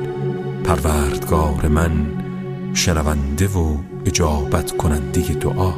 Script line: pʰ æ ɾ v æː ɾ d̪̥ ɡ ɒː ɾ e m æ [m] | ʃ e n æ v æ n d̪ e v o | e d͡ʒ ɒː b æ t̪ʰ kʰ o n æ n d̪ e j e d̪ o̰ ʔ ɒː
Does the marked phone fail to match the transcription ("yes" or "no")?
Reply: yes